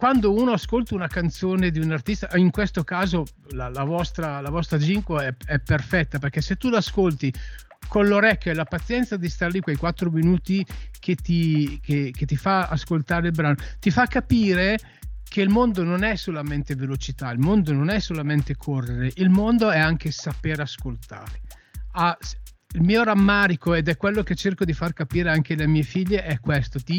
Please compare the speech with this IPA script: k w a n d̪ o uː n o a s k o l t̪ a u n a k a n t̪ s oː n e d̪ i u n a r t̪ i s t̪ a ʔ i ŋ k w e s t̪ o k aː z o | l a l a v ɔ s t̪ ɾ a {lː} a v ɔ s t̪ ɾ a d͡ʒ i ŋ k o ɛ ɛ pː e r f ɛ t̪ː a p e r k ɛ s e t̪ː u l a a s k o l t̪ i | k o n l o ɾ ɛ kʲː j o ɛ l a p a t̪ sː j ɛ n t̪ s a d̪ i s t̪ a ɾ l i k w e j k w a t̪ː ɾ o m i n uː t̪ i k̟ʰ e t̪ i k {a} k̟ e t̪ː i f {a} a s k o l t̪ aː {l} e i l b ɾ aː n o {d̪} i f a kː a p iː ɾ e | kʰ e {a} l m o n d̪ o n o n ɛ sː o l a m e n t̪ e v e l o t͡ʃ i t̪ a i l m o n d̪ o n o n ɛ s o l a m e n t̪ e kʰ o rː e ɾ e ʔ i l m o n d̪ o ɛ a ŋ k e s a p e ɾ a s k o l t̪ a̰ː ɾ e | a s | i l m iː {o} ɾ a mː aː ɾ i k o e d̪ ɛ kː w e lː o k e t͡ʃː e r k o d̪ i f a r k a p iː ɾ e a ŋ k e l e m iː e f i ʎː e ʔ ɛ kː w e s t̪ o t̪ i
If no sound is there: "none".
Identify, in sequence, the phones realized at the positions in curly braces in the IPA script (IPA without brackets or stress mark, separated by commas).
l, e, a, ɾ, t̪, i, o